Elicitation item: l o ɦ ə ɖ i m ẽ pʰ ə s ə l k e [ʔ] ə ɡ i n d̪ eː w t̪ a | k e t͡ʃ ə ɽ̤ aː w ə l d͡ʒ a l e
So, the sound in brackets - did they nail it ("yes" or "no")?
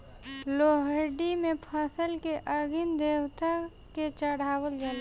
yes